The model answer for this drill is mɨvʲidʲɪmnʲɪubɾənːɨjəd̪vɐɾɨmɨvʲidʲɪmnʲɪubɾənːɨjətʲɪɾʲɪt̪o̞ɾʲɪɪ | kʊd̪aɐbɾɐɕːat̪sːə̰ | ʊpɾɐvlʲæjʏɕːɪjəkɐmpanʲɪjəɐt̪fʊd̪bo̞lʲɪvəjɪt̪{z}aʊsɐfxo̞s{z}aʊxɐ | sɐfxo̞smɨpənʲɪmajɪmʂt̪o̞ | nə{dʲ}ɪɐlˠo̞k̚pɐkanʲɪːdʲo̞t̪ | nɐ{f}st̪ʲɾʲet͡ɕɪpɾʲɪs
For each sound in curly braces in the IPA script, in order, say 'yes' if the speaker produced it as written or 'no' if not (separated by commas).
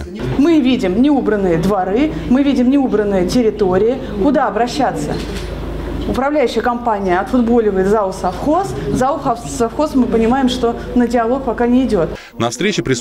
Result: yes, yes, yes, yes